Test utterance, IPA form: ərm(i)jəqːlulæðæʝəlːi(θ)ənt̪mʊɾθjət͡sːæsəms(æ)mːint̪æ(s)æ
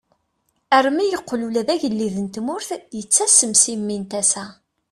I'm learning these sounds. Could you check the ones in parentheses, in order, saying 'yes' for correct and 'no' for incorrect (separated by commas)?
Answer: yes, no, no, yes